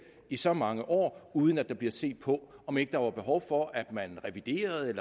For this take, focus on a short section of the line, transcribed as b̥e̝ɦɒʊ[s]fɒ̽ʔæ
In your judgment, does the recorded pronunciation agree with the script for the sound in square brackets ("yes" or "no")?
no